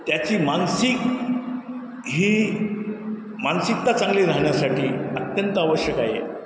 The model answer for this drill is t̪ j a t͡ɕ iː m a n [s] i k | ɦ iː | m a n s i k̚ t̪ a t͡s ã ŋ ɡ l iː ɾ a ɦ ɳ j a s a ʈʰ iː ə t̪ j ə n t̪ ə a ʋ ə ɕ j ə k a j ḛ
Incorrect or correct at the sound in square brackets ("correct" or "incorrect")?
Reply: correct